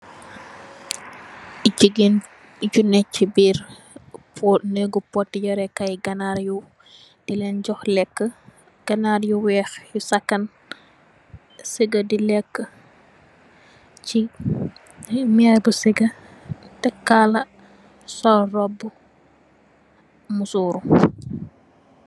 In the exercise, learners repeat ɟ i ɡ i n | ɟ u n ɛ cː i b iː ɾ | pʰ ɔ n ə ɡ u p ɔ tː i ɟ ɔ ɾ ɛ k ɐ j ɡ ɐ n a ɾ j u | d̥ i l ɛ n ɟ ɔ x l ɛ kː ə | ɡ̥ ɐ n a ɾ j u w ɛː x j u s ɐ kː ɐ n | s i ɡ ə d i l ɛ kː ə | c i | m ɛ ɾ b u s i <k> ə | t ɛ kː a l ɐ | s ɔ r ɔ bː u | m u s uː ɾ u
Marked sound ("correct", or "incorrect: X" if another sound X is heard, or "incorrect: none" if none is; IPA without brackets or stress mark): incorrect: ɡ